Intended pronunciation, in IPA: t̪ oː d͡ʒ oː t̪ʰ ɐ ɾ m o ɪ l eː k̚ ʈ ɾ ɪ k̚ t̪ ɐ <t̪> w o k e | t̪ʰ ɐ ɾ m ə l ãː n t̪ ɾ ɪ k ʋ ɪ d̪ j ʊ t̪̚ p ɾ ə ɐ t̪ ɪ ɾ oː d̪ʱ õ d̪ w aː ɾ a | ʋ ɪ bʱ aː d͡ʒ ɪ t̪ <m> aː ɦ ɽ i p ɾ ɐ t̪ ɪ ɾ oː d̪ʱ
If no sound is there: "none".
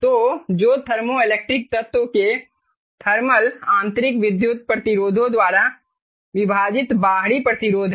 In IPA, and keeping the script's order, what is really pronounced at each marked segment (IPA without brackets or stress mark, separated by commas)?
t̪, b